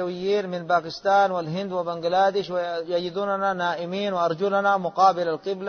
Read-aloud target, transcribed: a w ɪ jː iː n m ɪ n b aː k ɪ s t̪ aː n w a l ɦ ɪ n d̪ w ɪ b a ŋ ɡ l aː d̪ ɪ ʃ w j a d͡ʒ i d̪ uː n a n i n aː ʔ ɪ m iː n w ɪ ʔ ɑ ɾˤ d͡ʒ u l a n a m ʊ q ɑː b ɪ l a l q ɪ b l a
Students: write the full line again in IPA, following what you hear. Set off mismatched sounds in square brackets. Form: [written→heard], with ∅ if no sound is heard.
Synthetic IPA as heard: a w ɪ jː iː n m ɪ n b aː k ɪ s t̪ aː n w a l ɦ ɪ n d̪ w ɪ b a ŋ ɡ l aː d̪ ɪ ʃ w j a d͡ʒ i d̪ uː n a n [i→a] n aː ʔ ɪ m iː n w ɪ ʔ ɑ ɾˤ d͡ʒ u l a n a m ʊ q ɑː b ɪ l a l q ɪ b l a